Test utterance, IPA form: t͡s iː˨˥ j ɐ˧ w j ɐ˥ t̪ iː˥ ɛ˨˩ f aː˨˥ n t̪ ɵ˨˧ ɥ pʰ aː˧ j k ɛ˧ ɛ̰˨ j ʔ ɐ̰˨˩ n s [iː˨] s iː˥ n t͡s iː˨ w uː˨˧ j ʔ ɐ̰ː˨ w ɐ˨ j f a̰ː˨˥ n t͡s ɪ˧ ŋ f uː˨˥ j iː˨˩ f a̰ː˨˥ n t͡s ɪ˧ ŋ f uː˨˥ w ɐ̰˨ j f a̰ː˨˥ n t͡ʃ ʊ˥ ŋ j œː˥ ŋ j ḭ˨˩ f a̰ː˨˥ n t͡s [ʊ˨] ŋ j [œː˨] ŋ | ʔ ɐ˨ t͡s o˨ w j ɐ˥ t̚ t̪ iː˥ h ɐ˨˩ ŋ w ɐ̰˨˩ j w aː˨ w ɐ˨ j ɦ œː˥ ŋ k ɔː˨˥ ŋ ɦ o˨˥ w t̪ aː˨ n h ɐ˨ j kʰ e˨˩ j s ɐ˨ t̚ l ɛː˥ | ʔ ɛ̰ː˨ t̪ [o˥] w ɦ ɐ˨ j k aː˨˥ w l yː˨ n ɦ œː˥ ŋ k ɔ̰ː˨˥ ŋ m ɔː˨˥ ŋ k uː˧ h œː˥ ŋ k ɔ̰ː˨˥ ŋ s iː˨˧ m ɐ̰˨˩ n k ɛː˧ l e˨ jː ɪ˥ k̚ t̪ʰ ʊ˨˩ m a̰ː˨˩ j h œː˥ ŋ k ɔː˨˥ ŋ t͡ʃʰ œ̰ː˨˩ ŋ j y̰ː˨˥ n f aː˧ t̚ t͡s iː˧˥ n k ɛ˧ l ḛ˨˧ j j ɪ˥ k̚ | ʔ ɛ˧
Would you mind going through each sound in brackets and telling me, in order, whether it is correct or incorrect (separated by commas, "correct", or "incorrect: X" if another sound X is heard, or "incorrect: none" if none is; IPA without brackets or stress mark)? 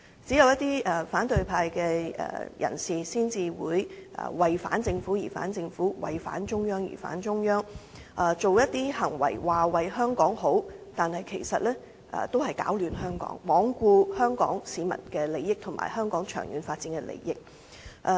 correct, incorrect: ʊ˥, incorrect: œː˥, correct